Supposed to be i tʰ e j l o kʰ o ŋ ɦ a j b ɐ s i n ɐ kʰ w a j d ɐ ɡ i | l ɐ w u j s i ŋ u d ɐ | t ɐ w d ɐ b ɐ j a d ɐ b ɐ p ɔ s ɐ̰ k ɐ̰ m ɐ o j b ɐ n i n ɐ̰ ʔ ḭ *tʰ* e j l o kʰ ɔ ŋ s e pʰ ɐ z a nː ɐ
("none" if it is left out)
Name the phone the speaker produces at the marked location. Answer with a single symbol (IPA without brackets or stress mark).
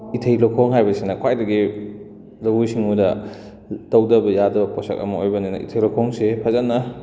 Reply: tʰ